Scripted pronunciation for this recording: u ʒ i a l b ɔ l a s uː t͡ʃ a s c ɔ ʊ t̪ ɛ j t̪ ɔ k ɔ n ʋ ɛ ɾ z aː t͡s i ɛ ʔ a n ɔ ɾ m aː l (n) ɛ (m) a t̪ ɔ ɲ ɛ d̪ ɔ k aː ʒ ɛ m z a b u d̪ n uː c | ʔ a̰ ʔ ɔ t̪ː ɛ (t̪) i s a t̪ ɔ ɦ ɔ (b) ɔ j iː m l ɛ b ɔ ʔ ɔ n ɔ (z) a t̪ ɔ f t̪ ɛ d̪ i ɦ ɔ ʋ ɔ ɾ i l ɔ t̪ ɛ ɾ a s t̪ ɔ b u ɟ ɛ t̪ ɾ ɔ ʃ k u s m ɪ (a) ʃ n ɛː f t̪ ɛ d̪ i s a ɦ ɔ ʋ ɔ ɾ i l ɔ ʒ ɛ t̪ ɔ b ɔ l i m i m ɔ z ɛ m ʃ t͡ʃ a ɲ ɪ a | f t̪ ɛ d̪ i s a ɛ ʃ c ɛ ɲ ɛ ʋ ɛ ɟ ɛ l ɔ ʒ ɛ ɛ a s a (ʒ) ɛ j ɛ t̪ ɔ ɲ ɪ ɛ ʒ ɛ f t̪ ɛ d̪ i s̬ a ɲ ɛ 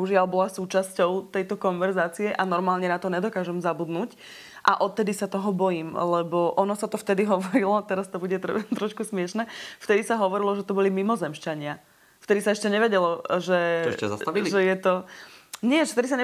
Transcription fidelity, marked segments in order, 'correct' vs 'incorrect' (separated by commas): incorrect, incorrect, incorrect, correct, incorrect, incorrect, correct